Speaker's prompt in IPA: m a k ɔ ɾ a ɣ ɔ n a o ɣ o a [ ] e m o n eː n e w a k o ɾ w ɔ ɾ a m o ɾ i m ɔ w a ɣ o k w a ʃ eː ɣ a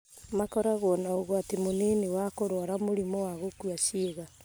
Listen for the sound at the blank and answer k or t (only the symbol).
t